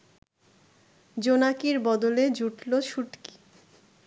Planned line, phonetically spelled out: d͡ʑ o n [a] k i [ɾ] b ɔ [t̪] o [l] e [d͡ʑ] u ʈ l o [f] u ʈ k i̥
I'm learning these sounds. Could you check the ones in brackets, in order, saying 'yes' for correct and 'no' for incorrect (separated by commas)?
yes, yes, no, yes, yes, no